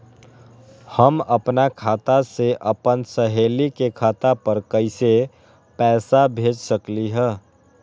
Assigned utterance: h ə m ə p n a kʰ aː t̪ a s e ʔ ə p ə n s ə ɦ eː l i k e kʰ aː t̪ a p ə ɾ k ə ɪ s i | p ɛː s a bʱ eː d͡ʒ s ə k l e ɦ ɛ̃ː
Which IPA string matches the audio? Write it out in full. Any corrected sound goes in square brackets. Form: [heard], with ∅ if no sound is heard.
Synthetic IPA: h ə m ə p n a kʰ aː t̪ a s e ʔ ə p ə n s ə ɦ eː l i k e kʰ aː t̪ a p ə ɾ k ə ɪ s [e] | p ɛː s a bʱ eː d͡ʒ s ə k l [i] ɦ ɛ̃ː